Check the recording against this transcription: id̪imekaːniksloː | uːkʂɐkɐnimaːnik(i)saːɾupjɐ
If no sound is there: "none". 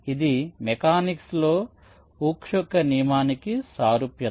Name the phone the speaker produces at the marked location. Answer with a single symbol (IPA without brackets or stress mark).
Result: i